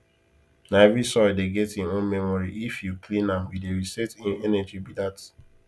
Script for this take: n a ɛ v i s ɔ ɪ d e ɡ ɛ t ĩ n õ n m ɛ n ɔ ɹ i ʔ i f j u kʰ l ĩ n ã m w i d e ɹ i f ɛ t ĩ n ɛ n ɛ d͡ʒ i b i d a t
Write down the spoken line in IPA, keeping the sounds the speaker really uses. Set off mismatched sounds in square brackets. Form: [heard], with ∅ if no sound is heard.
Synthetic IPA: n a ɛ v i s ɔ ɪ d e ɡ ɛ t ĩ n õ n m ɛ [m] ɔ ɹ i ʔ i f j u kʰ l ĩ n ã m w i d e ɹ i [s] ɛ t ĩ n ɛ n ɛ d͡ʒ i b i d a t